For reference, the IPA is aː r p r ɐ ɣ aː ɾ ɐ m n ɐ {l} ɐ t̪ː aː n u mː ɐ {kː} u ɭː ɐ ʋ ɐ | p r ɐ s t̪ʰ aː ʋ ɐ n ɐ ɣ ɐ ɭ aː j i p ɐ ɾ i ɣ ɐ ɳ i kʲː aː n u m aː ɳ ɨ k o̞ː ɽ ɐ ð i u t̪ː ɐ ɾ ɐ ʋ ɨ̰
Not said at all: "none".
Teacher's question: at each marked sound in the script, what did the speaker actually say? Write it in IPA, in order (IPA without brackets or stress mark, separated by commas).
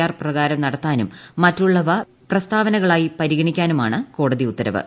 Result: ɽ, tː